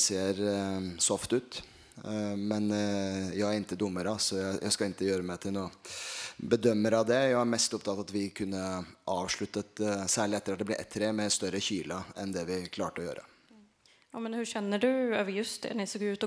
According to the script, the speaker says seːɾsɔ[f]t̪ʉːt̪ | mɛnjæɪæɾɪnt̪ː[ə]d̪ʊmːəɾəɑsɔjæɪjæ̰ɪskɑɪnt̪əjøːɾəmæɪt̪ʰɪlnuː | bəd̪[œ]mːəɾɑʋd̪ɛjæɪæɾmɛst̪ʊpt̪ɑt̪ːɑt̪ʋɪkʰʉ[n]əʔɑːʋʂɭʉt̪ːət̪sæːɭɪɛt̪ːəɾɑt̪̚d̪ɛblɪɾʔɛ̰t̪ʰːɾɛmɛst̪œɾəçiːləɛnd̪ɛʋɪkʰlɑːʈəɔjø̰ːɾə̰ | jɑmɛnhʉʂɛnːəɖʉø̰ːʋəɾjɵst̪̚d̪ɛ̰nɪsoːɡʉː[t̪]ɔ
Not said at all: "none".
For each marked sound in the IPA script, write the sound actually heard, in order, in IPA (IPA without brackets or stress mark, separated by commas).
f, ə, œ, nː, t̪